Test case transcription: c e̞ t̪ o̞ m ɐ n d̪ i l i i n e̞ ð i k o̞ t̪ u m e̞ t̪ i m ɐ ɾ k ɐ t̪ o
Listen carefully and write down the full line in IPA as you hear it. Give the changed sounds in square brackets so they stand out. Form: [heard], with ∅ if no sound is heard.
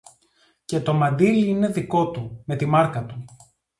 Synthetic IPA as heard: c e̞ t̪ o̞ m ɐ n d̪ i l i i n e̞ ð i k o̞ t̪ u m e̞ t̪ i m ɐ ɾ k ɐ t̪ [u]